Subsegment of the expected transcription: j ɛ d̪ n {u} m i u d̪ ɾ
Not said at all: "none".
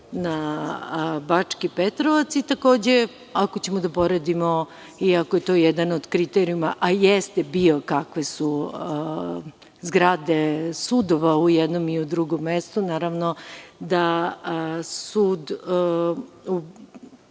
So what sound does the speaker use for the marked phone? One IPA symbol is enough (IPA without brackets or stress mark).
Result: o